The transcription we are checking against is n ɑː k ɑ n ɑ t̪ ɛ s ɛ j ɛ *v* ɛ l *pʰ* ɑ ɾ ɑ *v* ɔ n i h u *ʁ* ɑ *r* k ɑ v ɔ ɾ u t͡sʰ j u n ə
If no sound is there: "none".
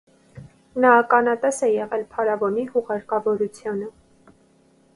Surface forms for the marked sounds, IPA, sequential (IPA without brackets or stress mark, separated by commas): ʁ, pʰ, v, ʁ, ɾ